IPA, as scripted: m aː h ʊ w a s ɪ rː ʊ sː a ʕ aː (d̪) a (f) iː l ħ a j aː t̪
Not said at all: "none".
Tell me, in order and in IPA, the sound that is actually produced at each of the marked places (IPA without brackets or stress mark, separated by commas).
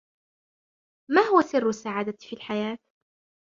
d̪, f